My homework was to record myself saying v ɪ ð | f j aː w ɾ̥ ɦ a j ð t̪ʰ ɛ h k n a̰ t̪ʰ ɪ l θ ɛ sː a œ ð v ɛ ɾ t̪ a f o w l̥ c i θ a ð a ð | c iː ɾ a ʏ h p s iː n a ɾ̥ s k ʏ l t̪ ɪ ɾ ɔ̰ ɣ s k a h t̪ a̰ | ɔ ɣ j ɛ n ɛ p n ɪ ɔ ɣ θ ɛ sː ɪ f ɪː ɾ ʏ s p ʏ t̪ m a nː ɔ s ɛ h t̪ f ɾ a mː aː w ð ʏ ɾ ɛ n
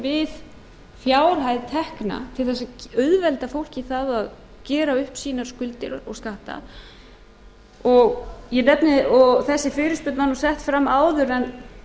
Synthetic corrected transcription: v ɪ ð | f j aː w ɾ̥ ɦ a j ð t̪ʰ ɛ h k n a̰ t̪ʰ ɪ l θ ɛ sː a œ ð v ɛ l t̪ a f o w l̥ c i θ a ð a ð | c ɛː ɾ a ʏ h p s iː n a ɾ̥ s k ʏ l t̪ ɪ ɾ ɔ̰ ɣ s k a h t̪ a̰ | ɔ ɣ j ɛ n ɛ p n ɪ ɔ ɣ θ ɛ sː ɪ f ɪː ɾ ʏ s p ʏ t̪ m a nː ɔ s ɛ h t̪ f ɾ a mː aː w ð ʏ ɾ ɛ n